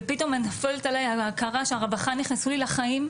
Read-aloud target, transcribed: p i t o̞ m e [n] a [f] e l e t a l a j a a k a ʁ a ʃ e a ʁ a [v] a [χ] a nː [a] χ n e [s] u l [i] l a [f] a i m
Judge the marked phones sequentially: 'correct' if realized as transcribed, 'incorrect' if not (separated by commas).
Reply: correct, correct, incorrect, correct, incorrect, correct, correct, incorrect